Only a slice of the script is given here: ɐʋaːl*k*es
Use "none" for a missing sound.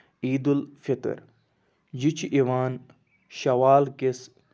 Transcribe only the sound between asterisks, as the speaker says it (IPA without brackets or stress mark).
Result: k